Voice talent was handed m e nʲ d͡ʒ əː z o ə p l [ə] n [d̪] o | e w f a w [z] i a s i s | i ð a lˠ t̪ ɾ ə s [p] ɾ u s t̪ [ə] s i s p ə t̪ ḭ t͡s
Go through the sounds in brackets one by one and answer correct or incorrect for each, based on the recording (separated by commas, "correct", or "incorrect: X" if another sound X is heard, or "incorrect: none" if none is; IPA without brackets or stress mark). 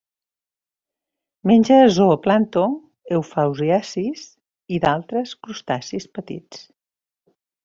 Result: incorrect: a, incorrect: t̪, correct, incorrect: k, incorrect: a